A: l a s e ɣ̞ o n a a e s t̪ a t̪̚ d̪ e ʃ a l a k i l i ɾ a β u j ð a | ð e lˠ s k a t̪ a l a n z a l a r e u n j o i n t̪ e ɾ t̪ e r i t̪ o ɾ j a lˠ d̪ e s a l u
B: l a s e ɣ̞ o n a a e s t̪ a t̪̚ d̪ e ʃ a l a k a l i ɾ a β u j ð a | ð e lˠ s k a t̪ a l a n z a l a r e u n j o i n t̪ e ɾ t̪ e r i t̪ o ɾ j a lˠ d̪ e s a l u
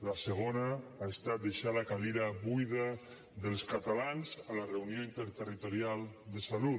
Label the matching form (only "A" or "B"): B